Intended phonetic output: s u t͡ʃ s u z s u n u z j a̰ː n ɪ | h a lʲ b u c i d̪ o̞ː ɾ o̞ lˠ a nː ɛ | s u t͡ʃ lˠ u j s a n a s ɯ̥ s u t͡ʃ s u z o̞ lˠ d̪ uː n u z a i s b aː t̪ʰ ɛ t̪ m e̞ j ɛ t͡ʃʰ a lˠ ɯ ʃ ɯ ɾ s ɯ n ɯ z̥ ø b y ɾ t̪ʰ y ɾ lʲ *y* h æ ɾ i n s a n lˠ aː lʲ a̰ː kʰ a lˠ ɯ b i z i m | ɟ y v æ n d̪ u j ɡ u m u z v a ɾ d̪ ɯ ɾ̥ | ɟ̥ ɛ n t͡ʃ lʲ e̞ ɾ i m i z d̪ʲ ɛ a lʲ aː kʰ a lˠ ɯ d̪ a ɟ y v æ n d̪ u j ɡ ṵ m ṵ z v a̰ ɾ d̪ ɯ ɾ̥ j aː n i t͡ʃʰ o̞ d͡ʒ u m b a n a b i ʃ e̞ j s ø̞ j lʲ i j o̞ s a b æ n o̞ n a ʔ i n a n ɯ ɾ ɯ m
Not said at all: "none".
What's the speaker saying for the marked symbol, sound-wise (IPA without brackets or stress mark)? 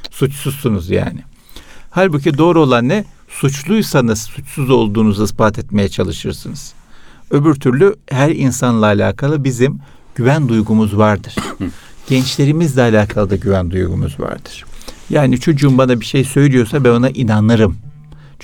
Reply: y